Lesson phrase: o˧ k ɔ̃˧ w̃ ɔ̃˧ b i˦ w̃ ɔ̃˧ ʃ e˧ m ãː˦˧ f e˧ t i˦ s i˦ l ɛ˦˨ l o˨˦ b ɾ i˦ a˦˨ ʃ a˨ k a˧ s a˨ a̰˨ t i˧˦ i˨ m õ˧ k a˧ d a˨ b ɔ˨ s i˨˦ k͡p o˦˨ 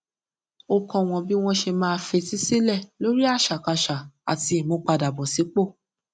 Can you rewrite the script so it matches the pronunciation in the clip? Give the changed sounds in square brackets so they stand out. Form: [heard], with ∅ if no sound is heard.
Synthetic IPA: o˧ k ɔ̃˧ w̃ ɔ̃˧ b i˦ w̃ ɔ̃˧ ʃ e˧ m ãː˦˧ f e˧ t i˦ s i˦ l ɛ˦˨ l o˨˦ [∅] ɾ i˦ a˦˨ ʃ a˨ k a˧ [ʃ] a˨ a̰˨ t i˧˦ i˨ m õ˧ [k͡p] a˧ d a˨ b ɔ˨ s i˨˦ k͡p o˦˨